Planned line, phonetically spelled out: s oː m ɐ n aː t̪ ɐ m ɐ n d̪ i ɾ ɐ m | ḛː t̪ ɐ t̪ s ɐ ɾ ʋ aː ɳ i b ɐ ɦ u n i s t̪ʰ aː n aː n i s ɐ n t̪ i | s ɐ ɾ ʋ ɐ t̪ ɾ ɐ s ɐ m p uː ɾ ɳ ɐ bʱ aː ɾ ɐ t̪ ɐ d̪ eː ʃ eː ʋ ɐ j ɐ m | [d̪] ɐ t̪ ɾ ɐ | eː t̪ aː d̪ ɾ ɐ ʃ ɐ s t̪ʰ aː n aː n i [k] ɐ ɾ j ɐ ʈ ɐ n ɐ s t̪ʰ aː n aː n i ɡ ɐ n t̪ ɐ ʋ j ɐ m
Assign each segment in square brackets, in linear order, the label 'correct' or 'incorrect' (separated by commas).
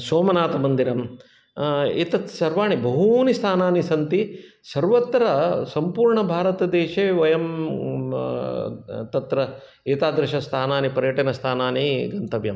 incorrect, incorrect